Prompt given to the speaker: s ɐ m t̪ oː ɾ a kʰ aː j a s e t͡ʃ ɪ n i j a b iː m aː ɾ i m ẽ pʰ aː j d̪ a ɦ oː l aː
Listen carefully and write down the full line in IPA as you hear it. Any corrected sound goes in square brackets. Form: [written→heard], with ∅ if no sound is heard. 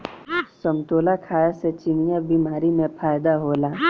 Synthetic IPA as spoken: s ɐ m t̪ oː [ɾ→l] a kʰ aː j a s e t͡ʃ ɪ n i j a b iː m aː ɾ i m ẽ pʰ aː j d̪ a ɦ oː l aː